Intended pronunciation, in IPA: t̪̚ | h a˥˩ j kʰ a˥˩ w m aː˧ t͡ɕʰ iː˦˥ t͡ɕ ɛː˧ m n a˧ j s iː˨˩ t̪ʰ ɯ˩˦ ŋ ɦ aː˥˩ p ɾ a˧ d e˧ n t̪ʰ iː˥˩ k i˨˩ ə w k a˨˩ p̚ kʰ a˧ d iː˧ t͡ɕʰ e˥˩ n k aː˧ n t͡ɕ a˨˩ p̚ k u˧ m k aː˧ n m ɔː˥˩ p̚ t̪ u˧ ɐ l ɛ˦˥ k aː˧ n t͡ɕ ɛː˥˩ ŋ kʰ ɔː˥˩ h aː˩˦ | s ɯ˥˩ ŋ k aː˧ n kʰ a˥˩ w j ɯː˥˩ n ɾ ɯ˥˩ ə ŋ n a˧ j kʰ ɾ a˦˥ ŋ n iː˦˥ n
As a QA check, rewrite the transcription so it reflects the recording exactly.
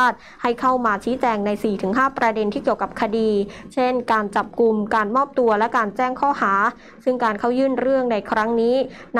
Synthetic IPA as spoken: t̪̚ | h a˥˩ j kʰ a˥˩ w m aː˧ t͡ɕʰ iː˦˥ t͡ɕ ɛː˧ ŋ n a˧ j s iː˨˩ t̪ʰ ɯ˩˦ ŋ ɦ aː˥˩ p ɾ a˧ d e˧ n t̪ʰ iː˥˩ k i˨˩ ə w k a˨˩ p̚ kʰ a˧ d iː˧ t͡ɕʰ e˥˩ n k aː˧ n t͡ɕ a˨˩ p̚ k u˧ m k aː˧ n m ɔː˥˩ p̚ t̪ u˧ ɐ l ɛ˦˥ k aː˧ n t͡ɕ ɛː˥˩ ŋ kʰ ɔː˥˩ h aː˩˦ | s ɯ˥˩ ŋ k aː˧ n kʰ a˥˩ w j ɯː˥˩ n ɾ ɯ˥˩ ə ŋ n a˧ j kʰ ɾ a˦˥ ŋ n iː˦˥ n

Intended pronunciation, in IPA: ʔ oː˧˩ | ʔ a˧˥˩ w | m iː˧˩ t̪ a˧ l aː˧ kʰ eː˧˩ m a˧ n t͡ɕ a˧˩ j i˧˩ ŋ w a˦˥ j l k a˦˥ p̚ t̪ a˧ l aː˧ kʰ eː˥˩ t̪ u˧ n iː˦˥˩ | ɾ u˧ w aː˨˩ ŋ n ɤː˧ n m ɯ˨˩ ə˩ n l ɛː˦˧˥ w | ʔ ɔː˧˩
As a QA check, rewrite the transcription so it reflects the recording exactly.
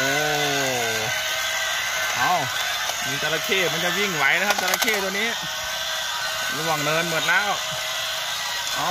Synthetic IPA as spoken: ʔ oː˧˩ | ʔ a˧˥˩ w | m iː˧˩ t̪ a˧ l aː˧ kʰ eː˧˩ m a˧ n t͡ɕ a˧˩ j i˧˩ ŋ w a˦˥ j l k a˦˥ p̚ t̪ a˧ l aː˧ kʰ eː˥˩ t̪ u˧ n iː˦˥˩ | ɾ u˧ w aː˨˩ ŋ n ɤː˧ n m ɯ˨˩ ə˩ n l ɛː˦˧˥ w | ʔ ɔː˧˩

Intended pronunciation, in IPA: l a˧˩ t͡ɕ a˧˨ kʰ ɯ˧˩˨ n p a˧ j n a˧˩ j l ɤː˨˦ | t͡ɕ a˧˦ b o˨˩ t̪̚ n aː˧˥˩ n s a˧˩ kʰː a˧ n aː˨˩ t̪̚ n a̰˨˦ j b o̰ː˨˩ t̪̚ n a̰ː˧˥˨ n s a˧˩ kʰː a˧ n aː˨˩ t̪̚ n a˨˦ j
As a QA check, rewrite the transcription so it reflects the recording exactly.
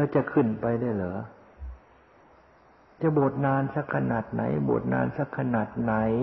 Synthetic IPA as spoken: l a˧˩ t͡ɕ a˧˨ kʰ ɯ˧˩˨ n p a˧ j d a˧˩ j l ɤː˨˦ | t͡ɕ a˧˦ b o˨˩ t̪̚ n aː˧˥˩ n s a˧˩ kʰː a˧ n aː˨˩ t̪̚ n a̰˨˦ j b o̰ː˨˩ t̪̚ n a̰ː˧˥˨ n s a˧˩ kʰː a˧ n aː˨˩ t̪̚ n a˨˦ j

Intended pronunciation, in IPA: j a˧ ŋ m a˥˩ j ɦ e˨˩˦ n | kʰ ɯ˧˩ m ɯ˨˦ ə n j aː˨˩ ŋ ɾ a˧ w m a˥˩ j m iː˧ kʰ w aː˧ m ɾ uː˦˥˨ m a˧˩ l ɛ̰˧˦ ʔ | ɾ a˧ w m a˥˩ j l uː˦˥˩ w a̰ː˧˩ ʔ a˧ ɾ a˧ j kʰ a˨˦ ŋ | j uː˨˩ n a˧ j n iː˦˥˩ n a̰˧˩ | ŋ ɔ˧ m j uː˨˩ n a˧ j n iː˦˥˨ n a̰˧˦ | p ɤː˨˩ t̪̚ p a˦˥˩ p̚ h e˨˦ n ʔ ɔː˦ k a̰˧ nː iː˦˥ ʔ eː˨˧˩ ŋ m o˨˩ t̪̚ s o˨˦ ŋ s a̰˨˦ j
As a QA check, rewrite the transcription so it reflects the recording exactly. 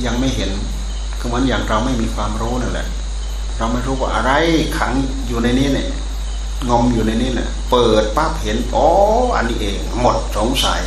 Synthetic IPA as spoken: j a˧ ŋ m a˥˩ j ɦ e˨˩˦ n | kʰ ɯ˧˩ m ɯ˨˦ ə n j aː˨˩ ŋ ɾ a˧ w m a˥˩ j m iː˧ kʰ w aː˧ m ɾ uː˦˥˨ n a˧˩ l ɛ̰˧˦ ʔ | ɾ a˧ w m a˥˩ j ɾ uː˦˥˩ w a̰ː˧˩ ʔ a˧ ɾ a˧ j kʰ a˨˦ ŋ | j uː˨˩ n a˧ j n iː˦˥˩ n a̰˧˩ | ŋ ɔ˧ m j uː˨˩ n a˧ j n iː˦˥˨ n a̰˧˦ | p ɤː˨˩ t̪̚ p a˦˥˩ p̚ h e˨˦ n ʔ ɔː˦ ʔ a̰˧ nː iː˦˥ ʔ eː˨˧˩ ŋ m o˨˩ t̪̚ s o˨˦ ŋ s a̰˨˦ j

